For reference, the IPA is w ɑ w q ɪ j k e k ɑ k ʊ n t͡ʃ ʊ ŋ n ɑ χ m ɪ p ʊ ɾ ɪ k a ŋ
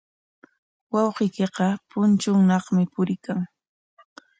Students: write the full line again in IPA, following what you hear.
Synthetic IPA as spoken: w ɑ w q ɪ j k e q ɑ p ʊ n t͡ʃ ʊ ŋ n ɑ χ m ɪ p ʊ ɾ ɪ k a ŋ